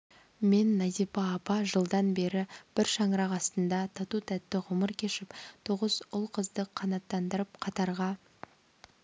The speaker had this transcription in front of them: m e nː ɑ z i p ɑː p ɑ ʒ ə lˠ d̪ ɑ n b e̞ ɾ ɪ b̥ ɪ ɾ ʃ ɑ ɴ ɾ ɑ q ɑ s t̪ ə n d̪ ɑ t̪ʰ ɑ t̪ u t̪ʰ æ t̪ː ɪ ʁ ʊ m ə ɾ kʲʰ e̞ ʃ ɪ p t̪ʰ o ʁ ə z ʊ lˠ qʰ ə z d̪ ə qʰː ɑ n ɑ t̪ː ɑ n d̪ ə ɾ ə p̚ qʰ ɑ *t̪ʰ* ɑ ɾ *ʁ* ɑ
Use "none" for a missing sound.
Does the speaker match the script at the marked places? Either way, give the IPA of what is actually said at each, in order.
t̪, ʁ

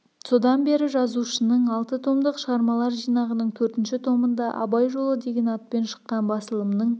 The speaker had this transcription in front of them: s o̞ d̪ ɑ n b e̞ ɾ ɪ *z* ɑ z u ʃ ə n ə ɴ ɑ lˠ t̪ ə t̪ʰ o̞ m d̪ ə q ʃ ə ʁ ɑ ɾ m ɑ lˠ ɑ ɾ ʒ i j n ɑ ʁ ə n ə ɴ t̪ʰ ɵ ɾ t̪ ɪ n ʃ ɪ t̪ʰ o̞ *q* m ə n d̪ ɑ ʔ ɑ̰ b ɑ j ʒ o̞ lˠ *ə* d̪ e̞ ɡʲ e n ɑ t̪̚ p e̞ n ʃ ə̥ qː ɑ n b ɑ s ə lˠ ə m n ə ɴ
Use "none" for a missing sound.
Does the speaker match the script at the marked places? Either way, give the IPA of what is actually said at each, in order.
ʒ, none, ə

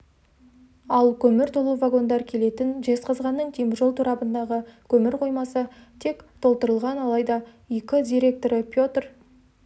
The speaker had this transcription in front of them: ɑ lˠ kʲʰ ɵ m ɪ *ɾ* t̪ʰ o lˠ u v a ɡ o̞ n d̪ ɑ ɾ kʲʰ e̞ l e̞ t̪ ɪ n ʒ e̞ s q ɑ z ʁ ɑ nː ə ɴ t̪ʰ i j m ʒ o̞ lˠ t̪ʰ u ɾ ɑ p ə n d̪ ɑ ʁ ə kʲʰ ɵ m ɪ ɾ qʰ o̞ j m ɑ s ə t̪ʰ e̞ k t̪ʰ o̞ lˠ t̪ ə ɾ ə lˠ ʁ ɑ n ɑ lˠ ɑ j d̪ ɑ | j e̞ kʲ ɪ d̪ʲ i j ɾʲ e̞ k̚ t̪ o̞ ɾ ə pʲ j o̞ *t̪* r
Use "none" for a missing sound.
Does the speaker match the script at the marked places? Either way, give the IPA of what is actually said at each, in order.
ɾ, t̪

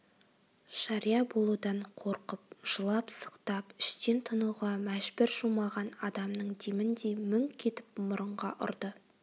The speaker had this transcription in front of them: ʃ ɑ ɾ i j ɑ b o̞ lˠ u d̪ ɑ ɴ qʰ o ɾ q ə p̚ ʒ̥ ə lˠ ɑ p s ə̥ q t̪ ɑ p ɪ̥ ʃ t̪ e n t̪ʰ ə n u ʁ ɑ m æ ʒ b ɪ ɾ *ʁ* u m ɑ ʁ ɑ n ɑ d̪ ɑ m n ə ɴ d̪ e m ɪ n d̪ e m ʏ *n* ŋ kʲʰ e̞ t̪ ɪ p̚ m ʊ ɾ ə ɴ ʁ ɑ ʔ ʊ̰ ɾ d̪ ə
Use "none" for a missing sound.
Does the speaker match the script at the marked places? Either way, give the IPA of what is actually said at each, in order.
ʒ, none

